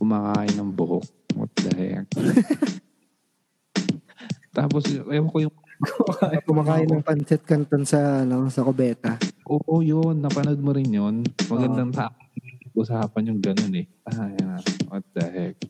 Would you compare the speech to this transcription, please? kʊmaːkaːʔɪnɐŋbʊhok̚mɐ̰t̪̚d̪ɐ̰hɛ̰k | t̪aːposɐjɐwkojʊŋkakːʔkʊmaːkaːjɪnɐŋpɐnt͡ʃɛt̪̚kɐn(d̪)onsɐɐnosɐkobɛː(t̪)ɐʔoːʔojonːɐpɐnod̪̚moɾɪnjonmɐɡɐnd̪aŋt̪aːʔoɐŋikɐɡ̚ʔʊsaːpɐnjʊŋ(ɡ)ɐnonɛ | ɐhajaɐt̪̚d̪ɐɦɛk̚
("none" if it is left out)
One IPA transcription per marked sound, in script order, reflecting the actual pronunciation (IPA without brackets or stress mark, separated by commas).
t̪, t̪, ɡ